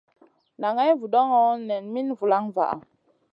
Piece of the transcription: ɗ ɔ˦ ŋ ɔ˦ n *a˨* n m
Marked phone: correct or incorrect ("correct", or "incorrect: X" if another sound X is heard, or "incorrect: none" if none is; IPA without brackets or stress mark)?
incorrect: ɛ˨